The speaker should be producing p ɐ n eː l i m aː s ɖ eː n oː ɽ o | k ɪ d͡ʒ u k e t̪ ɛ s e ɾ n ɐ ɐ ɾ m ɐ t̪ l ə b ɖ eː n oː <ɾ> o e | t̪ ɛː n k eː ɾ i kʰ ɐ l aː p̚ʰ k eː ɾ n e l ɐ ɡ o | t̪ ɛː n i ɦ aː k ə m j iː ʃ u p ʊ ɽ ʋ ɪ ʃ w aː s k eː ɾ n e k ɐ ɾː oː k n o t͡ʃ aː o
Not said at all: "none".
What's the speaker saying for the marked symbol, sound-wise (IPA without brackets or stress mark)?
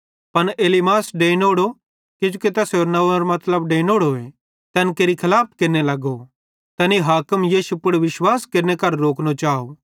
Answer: ɽ